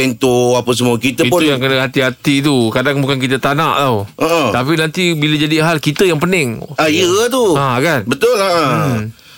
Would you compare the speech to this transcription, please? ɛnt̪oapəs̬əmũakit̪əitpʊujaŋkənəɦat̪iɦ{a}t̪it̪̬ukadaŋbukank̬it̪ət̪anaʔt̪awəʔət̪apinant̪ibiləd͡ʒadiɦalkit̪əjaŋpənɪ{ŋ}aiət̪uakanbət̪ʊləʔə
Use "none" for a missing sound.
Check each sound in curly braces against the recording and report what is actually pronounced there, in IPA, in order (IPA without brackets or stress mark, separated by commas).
a, ŋ